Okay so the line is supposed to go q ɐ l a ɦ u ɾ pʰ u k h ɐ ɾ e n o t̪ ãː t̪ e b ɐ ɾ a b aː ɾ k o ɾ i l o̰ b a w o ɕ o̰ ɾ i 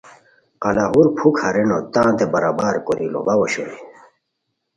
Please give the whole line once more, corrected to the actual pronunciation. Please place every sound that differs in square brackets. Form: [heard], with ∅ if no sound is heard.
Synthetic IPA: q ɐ l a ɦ u ɾ pʰ u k h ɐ ɾ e n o t̪ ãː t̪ e b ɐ ɾ a b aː ɾ k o ɾ i l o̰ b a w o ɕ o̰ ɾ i

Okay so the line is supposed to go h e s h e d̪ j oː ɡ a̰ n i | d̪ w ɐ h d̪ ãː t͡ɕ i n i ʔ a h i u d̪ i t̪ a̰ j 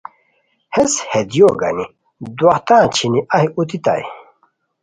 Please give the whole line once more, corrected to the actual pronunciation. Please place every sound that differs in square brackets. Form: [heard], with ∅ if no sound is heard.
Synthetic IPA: h e s h e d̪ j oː ɡ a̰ n i | d̪ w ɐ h [t̪] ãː [t͡ɕʰ] i n i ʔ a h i u [t̪] i t̪ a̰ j

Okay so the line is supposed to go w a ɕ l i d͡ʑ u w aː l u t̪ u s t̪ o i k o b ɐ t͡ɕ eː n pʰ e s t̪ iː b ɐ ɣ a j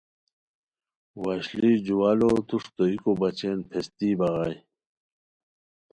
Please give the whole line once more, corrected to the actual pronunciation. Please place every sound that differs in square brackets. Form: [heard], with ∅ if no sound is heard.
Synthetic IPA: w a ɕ l i d͡ʑ u w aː l [o] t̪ u [ʂ] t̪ o i k o b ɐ t͡ɕ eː n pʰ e s t̪ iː b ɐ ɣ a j

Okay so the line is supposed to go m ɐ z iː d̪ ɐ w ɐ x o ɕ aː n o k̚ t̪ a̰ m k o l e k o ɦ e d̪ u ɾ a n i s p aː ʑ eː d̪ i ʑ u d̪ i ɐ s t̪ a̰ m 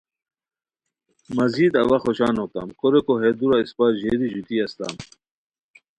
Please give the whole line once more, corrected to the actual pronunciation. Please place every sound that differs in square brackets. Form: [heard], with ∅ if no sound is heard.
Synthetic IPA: m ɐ z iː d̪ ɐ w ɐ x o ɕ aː n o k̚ t̪ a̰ m k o [ɾ] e k o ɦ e d̪ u ɾ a [∅] i s p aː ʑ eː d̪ i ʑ u [t̪] i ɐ s t̪ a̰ m

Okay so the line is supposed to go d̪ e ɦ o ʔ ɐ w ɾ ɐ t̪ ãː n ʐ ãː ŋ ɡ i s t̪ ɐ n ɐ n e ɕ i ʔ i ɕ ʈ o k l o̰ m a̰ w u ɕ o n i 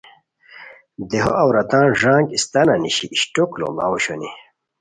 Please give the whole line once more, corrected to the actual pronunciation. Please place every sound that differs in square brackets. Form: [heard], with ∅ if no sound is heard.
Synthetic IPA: d̪ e ɦ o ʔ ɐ w ɾ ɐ t̪ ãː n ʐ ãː ŋ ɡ i s t̪ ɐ n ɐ n [i] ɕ i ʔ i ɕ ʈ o k l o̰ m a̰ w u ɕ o n i

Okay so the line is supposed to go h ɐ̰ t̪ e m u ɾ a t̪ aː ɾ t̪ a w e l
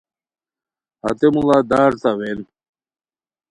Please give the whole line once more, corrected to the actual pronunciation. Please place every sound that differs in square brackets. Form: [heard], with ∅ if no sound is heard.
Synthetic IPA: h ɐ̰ t̪ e m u [l] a [d̪] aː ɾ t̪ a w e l

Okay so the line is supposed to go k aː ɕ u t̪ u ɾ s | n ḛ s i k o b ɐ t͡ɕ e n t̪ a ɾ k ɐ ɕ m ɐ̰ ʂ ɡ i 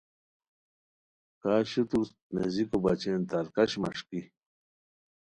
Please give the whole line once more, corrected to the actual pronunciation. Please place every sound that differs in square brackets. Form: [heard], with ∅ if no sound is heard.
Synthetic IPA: k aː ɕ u t̪ u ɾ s | n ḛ [z] i k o b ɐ t͡ɕ e n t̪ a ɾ k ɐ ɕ m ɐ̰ ʂ [k] i

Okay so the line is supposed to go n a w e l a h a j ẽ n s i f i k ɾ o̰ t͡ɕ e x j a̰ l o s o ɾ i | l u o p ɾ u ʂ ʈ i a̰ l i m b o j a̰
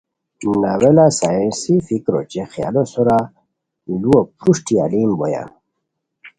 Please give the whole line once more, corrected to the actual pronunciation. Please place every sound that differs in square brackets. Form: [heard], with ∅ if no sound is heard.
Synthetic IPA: n a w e l a [s] a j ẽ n s i f i k ɾ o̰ t͡ɕ e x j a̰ l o s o ɾ [a] | l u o p ɾ u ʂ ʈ i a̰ l i m b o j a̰

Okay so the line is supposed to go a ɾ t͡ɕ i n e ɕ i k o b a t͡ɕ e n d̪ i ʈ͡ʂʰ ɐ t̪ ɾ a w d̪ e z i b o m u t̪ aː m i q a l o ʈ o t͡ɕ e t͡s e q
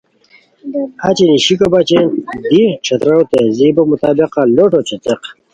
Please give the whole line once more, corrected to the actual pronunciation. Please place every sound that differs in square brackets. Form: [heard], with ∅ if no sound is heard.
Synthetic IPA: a [∅] t͡ɕ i n [i] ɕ i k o b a t͡ɕ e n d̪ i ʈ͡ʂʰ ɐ t̪ ɾ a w [t̪] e z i b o m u t̪ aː [b] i q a l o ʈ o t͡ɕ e t͡s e q

